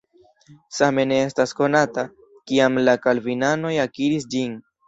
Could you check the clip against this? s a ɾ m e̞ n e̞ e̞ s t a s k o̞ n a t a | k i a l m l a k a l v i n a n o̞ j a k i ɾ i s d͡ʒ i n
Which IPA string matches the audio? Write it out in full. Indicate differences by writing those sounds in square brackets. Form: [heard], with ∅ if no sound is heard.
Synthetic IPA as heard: s a [∅] m e̞ n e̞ e̞ s t a s k o̞ n a t a | k i a [∅] m l a k a l v i n a n o̞ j a k i ɾ i s d͡ʒ i n